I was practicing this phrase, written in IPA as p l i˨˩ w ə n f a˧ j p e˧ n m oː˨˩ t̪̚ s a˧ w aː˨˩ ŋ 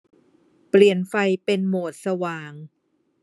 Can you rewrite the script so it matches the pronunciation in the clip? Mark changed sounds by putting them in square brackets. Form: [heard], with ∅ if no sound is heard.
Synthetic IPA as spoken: p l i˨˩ [∅] ə n f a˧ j p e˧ n m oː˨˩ t̪̚ s a˧ w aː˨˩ ŋ

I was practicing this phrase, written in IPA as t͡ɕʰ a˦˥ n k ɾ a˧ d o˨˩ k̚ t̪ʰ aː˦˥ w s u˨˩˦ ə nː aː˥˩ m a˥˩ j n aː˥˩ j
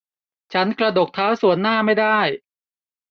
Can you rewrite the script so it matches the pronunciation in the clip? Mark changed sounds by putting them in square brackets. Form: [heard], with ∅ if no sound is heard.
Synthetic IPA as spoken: t͡ɕʰ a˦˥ n k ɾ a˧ d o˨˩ k̚ t̪ʰ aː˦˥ w s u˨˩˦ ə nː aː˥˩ m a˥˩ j [d] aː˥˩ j

